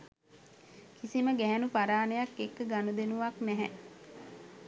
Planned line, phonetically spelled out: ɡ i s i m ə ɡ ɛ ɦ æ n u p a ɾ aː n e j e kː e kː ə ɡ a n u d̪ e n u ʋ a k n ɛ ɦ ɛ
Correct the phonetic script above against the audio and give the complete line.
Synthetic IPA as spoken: k i s i m ə ɡ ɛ ɦ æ n u p a ɾ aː n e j a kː e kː ə ɡ a n u d̪ e n u ʋ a k n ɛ ɦ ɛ